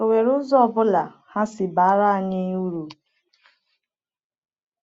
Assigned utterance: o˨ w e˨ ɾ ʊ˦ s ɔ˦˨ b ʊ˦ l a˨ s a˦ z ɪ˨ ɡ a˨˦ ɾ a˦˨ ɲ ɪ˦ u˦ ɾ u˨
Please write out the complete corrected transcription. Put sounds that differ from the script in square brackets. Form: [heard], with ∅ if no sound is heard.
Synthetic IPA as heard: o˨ w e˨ ɾ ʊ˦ [z] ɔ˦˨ b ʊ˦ l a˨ [h] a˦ [s] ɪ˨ [b] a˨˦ ɾ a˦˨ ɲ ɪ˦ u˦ ɾ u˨